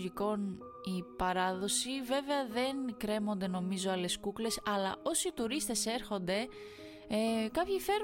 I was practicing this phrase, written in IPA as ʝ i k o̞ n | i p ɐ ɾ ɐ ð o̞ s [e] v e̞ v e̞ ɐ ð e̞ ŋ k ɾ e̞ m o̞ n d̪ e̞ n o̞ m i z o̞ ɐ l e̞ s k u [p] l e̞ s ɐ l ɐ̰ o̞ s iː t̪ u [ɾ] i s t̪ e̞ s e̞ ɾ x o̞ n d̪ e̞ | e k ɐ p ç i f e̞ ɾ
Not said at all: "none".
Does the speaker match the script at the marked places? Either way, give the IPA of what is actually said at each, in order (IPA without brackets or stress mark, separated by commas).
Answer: i, k, ɾ